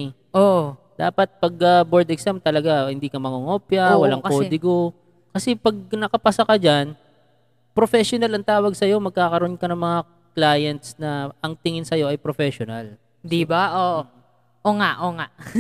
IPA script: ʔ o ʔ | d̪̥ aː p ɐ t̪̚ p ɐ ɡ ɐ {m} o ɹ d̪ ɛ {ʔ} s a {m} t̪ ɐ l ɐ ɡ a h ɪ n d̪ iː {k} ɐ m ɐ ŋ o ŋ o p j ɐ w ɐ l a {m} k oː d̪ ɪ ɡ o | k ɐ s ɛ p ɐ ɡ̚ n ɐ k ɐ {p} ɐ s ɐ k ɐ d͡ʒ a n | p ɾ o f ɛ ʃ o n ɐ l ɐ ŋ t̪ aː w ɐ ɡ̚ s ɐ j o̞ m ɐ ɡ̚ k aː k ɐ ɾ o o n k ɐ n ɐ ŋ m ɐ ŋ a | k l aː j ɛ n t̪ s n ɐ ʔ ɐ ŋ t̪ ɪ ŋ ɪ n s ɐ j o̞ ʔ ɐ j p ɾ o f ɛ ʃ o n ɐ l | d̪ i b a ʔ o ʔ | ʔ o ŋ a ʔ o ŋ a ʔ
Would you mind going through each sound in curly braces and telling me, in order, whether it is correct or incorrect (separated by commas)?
incorrect, incorrect, correct, correct, incorrect, correct